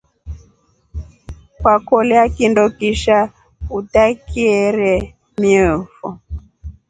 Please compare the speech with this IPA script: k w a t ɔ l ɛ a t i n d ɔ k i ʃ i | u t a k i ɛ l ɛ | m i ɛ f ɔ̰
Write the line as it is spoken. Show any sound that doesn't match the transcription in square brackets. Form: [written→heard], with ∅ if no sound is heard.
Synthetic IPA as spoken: k w a [t→k] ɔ l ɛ a [t→k] i n d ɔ k i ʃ [i→a] | u t a k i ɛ [l→ɾ] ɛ | m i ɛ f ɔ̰